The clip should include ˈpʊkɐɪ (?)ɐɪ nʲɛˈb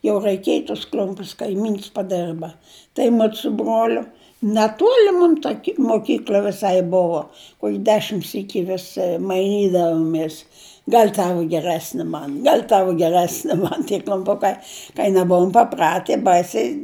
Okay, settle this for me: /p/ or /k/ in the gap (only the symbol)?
k